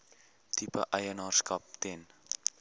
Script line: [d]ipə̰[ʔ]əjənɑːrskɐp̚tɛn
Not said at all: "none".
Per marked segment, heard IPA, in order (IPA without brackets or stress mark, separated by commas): t, ʔ